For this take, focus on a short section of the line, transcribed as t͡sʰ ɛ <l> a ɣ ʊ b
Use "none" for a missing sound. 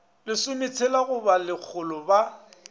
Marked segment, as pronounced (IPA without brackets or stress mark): l